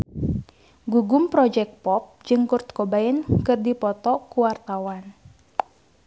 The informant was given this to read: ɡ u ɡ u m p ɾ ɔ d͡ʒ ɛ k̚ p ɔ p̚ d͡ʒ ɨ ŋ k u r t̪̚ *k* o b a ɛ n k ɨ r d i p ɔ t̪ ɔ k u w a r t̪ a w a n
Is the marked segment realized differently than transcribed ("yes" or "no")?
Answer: no